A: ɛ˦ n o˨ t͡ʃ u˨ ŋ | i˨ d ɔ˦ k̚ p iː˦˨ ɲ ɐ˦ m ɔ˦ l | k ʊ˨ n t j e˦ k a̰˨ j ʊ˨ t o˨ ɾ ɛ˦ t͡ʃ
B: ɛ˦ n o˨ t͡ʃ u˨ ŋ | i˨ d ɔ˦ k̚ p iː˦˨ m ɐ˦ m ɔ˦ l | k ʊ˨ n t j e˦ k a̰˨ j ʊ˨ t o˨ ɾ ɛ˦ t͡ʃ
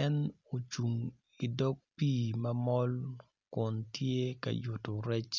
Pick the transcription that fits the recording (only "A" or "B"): B